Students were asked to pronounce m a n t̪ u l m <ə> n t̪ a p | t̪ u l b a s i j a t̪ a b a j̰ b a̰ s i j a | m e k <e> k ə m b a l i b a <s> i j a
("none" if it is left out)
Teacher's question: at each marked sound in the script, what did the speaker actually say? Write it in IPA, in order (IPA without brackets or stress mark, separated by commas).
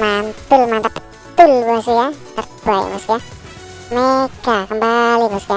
a, a, s